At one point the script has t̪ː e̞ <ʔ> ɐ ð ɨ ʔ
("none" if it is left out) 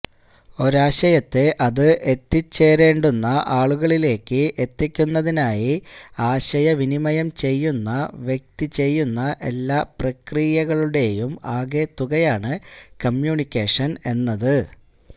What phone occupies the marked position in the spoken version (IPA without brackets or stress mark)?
ʔ